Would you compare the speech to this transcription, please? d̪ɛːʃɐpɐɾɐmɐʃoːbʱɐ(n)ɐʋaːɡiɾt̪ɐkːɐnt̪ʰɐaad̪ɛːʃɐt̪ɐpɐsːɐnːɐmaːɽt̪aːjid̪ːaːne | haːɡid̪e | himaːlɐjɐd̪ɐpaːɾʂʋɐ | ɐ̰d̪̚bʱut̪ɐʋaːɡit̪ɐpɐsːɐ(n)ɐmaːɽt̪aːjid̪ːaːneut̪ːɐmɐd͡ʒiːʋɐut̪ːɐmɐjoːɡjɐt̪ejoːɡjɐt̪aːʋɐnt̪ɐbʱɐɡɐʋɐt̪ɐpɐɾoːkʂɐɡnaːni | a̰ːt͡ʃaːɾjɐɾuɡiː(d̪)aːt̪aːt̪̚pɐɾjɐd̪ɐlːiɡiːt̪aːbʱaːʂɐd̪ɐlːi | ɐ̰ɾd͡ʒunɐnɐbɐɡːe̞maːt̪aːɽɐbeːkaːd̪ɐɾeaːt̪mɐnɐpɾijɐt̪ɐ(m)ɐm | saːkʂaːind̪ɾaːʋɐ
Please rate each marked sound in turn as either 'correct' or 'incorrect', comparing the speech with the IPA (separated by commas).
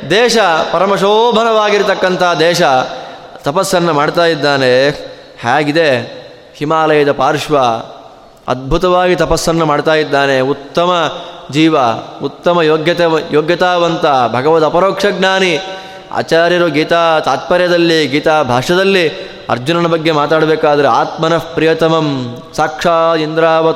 correct, incorrect, incorrect, correct